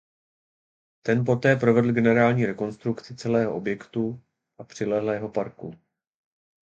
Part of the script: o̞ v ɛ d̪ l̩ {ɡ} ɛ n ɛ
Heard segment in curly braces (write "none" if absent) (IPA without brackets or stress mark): ɡ